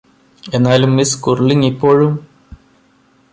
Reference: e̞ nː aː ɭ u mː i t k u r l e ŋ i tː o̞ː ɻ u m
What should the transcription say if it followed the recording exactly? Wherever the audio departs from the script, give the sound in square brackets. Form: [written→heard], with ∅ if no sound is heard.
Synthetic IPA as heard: e̞ nː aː [ɭ→l] u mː i [t→s] k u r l [e→i] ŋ i [tː→pː] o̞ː ɻ u m